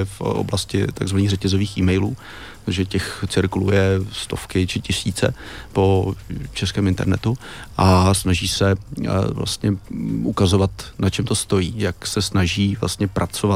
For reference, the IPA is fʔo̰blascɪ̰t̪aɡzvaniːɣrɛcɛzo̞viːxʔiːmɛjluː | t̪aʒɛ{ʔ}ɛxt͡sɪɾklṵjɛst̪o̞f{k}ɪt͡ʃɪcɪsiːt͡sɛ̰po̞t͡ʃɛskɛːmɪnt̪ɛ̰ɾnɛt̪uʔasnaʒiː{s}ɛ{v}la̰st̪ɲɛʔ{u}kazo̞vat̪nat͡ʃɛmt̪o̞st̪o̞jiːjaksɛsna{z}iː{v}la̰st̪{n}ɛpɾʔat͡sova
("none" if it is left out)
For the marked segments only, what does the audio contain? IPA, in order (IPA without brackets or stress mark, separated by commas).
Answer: c, k, s, v, u, ʒ, v, ɲ